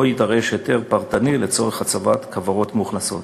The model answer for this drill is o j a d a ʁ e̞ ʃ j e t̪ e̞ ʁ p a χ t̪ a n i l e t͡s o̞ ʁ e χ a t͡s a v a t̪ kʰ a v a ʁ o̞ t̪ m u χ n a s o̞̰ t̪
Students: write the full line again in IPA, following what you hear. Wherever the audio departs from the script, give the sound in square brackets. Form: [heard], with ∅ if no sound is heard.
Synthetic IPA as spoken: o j [i] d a ʁ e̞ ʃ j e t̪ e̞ ʁ p a [ʁ] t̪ a n i l e t͡s o̞ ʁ e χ a t͡s a v a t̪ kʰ a v a ʁ o̞ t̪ m u χ n a s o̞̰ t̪